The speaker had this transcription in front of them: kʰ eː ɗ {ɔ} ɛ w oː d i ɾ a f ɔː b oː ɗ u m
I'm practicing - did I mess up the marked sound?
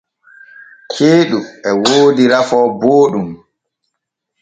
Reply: yes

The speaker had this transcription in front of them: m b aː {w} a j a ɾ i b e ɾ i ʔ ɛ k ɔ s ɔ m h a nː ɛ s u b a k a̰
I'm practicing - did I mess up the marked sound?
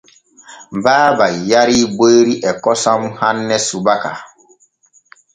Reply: yes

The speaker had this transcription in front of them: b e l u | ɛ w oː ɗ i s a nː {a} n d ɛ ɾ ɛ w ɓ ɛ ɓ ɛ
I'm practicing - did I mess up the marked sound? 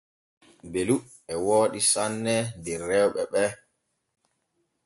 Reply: yes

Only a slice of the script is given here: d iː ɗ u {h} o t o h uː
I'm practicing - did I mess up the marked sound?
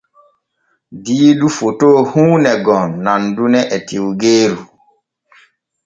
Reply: yes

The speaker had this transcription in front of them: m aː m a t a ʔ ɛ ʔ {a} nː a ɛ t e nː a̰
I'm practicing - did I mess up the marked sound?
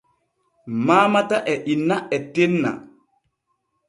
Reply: yes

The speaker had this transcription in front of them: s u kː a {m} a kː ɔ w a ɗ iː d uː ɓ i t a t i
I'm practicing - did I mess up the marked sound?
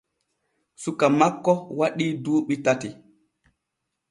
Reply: no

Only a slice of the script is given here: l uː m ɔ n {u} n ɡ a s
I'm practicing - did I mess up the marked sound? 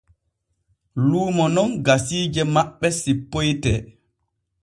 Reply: yes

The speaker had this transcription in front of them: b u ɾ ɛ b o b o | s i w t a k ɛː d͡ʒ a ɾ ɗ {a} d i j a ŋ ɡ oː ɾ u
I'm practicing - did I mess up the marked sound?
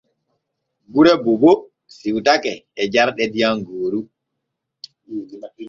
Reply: yes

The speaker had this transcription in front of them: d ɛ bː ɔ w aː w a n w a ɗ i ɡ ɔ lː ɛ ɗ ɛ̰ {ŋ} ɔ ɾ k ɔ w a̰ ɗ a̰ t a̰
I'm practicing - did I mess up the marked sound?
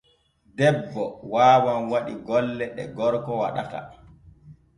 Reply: yes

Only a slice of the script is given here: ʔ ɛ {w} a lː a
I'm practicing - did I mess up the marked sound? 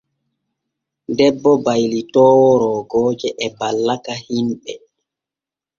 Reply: yes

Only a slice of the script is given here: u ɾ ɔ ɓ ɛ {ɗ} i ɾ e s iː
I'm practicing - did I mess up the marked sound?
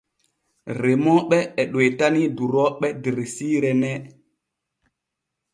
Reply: yes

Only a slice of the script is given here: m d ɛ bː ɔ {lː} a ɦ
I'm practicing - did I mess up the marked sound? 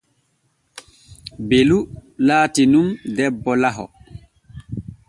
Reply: yes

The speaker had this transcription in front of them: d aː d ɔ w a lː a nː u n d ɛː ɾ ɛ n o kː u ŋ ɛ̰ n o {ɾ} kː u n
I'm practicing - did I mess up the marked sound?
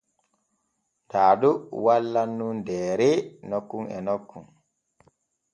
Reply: yes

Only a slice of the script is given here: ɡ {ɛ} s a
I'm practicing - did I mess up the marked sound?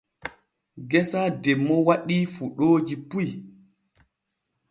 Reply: no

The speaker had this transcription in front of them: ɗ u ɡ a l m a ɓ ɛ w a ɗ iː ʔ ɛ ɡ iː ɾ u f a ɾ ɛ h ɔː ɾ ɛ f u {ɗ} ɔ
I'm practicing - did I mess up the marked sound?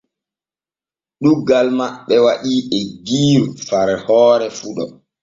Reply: no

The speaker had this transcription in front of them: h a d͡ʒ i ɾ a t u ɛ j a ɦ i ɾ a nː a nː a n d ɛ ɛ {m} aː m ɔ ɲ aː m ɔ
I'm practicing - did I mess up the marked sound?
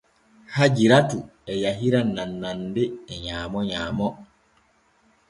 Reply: yes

